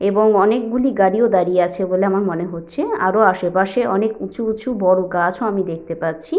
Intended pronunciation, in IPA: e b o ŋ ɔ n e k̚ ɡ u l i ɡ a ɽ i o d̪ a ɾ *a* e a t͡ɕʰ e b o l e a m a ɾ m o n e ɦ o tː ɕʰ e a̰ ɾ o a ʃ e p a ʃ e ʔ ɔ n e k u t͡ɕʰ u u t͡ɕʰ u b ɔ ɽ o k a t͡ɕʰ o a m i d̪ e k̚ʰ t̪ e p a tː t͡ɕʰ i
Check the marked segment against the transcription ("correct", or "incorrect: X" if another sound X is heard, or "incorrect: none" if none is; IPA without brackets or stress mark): incorrect: i